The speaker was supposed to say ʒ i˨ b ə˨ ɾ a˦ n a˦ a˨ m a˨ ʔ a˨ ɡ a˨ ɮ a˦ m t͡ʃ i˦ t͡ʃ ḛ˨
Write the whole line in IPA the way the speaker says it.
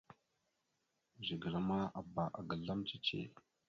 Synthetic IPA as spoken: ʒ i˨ ɡ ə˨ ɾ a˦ m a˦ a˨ b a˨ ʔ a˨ ɡ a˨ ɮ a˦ m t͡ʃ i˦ t͡ʃ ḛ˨